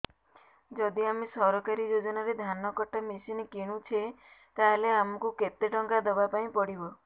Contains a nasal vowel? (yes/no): yes